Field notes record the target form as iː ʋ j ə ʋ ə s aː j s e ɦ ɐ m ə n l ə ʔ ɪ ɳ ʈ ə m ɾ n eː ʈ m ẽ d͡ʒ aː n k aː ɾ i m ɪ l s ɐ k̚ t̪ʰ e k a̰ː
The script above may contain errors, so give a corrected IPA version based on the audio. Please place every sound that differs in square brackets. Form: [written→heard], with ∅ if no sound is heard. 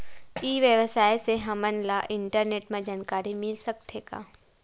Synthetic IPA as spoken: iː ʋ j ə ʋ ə s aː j s e ɦ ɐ m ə n l [ə→a] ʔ ɪ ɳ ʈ ə [m→∅] ɾ n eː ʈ m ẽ d͡ʒ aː n k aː ɾ i m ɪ l s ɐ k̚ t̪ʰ e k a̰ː